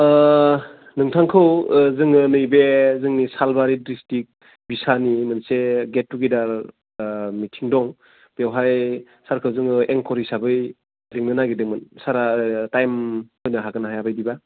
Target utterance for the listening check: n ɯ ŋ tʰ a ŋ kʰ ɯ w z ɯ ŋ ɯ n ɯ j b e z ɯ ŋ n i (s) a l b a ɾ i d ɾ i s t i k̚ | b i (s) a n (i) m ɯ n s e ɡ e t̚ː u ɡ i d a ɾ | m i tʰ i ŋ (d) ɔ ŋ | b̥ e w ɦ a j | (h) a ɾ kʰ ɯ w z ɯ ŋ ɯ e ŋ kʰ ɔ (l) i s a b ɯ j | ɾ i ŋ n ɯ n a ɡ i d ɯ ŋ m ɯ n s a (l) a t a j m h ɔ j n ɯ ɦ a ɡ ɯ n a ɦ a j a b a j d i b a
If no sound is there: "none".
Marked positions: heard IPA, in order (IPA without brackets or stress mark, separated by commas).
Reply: s, s, i, d, s, ɾ, ɾ